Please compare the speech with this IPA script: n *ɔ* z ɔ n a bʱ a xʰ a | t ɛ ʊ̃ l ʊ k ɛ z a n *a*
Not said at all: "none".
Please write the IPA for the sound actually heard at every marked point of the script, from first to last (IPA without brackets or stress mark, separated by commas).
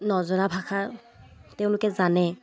ɔ, ɛ